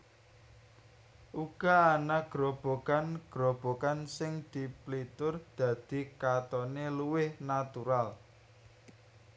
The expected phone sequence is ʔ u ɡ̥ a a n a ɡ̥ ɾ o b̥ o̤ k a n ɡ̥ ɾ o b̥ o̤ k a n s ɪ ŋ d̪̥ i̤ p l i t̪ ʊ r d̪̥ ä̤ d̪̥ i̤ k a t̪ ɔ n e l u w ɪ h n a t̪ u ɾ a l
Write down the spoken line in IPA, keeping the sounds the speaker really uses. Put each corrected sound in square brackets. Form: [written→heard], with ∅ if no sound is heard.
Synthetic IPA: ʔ u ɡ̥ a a n a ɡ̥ ɾ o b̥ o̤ k a n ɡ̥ ɾ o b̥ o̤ k a n s ɪ ŋ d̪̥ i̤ p l i t̪ ʊ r d̪̥ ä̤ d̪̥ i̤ k a t̪ ɔ n e l u w ɪ h n a t̪ u ɾ a l